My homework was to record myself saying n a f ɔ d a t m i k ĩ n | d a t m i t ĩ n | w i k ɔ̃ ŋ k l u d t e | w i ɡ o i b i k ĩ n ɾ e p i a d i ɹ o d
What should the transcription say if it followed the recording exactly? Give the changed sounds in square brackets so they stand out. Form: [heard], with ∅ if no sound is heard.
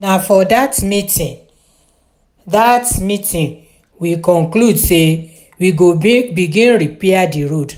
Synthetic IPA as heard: n a f ɔ d a t m i [t] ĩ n | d a t m i t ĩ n | w i k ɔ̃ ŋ k l u d [s] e | w i ɡ o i b i [ɡ] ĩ n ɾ [i] p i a d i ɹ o d